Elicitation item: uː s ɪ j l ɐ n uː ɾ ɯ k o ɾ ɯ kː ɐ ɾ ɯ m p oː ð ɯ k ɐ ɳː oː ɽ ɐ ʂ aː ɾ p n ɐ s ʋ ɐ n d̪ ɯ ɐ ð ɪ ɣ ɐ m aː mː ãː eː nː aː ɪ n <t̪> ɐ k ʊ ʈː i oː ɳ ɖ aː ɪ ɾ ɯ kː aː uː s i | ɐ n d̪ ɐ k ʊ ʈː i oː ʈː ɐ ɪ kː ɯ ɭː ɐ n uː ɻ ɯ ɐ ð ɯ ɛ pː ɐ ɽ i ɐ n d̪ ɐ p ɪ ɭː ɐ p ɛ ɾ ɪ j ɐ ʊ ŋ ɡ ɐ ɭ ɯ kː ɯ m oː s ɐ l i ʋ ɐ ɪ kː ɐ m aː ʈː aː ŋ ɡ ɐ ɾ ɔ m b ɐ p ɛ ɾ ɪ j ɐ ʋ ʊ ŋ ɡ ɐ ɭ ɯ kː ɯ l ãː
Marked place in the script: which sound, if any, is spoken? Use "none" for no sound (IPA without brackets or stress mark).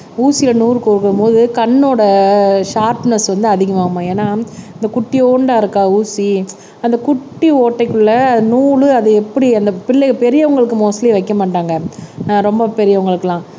d̪